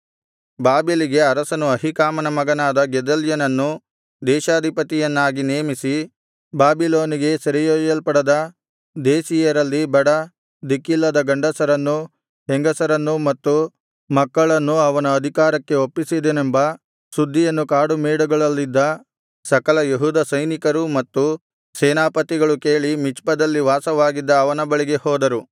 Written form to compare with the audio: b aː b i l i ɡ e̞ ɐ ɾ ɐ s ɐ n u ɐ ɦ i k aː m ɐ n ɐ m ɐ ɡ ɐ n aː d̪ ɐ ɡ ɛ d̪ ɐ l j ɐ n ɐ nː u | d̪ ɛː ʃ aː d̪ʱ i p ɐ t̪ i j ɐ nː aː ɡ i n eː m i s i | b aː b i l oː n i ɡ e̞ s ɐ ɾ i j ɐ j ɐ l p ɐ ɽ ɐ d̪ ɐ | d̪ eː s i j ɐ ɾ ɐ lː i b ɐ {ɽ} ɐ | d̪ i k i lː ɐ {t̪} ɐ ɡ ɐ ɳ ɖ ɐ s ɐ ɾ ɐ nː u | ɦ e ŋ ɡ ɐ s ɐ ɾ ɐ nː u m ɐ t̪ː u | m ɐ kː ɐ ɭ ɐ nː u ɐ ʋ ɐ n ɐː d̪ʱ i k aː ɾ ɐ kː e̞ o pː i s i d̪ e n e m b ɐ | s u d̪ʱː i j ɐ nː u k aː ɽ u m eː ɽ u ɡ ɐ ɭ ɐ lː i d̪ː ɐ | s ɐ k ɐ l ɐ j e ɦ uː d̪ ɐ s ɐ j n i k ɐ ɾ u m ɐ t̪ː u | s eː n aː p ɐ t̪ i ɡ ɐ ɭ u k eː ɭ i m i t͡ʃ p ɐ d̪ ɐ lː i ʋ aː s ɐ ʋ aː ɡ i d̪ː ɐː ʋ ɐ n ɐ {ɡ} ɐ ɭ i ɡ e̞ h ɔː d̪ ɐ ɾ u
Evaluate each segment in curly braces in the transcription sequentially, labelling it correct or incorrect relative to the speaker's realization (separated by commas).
correct, incorrect, incorrect